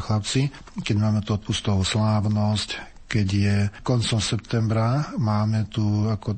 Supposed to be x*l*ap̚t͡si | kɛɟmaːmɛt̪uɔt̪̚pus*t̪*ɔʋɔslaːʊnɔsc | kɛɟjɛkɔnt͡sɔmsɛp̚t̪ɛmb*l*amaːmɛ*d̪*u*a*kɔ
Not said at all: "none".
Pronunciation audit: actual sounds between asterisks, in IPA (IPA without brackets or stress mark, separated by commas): l, t̪, ɾ, t̪, a